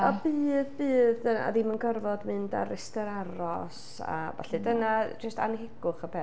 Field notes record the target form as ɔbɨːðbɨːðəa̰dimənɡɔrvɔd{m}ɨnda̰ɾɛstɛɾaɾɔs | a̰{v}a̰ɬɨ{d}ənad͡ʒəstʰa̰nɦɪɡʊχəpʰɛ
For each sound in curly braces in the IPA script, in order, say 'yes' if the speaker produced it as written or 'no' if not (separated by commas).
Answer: yes, yes, yes